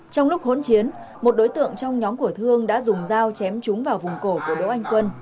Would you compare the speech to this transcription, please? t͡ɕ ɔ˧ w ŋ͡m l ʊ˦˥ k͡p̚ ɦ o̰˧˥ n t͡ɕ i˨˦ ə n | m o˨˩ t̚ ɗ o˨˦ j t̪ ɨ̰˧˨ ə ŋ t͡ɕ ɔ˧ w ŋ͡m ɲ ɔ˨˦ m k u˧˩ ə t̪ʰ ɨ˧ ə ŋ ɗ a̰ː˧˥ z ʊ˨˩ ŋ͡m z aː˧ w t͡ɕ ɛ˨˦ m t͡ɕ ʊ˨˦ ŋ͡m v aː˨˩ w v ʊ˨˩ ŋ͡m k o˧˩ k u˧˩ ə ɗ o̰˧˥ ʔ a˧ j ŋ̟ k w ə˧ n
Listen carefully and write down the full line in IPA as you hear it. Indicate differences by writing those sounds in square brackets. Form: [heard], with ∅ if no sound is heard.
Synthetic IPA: t͡ɕ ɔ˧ w ŋ͡m l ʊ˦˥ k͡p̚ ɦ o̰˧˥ n t͡ɕ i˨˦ ə n | m o˨˩ t̚ ɗ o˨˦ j t̪ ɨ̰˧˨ ə ŋ t͡ɕ ɔ˧ w ŋ͡m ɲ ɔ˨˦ m k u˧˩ ə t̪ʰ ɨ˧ ə ŋ ɗ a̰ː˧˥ z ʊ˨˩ ŋ͡m z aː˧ w t͡ɕ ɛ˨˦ m t͡ɕ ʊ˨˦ ŋ͡m v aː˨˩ w v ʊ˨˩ ŋ͡m k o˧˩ k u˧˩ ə ɗ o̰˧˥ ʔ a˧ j ŋ̟ k w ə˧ n